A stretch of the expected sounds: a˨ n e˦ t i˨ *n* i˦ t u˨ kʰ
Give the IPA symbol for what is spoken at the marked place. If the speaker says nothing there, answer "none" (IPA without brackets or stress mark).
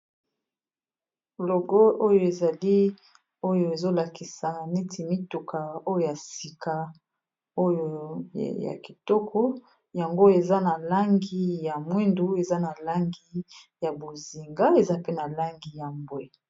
m